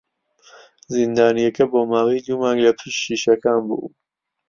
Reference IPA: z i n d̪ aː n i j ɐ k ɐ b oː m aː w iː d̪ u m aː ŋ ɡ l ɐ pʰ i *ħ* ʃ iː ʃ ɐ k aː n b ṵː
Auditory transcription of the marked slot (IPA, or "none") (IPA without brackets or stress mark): ʃ